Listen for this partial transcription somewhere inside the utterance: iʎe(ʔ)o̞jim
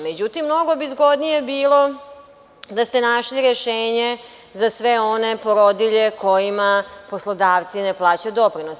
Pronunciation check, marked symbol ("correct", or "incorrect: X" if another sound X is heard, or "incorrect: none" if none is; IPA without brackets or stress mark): incorrect: k